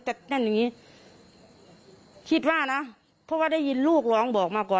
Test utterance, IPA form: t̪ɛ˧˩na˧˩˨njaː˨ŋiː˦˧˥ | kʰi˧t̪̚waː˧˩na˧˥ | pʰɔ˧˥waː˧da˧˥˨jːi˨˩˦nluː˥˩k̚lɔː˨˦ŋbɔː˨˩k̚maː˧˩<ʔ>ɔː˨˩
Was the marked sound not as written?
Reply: yes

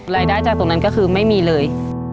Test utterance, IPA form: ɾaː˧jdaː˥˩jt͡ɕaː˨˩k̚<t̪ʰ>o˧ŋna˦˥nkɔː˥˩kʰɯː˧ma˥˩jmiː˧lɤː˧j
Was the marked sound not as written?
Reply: yes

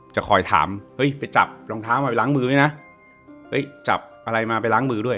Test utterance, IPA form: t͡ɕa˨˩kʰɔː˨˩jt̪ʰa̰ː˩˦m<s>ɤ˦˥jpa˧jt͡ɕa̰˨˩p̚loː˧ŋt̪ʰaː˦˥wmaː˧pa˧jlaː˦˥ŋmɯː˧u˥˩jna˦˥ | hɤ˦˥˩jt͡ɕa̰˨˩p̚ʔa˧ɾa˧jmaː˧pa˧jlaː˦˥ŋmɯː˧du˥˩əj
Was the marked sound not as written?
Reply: yes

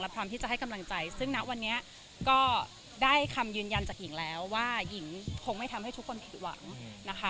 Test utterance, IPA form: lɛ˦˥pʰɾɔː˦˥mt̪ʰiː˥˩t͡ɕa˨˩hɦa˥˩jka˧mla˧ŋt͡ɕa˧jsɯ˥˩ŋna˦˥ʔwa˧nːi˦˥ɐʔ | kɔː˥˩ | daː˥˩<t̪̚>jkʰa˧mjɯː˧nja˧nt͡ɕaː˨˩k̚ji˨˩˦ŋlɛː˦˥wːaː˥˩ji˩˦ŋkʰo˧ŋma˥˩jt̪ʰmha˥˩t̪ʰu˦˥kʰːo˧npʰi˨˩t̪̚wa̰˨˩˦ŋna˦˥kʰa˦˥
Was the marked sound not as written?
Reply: yes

